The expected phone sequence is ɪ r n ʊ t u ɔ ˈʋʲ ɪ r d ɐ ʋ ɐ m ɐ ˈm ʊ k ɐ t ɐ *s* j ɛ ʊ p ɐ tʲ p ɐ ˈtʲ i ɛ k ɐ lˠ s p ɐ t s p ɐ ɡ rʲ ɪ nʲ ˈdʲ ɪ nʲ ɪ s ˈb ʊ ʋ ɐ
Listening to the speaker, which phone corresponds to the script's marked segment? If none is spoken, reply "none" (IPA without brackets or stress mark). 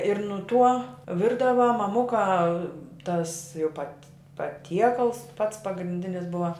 s